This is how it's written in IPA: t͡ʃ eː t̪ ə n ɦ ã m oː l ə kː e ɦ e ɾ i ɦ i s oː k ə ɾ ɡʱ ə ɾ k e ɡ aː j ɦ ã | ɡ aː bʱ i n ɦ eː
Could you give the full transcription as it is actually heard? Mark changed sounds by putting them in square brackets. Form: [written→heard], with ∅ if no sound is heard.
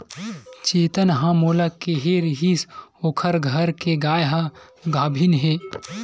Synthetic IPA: t͡ʃ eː t̪ ə n ɦ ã m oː l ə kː e ɦ e ɾ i ɦ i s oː [k→kʰ] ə ɾ ɡʱ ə ɾ k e ɡ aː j ɦ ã | ɡ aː bʱ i n ɦ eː